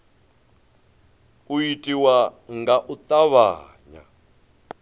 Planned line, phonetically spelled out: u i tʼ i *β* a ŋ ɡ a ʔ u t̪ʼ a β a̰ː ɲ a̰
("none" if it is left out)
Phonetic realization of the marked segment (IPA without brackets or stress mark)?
w